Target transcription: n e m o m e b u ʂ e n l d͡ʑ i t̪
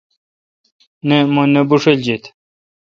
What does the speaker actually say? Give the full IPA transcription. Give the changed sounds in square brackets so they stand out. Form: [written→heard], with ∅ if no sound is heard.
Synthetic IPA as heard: n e m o [m→n] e b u ʂ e [n→∅] l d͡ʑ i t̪